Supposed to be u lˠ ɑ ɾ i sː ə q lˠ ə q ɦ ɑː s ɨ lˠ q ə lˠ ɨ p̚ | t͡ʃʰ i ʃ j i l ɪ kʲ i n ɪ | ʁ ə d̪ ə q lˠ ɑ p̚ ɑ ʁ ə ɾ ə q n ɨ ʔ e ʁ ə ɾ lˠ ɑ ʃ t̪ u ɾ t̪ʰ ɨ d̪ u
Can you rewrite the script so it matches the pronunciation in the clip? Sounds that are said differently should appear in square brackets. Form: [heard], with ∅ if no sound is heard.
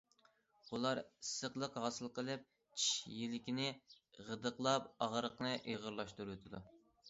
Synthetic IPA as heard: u lˠ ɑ ɾ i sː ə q lˠ ə q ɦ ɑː s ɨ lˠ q ə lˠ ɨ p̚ | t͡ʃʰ i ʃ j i l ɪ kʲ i n ɪ | ʁ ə d̪ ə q lˠ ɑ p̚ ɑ ʁ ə ɾ ə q n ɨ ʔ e ʁ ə ɾ lˠ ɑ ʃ t̪ u ɾ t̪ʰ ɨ d̪ u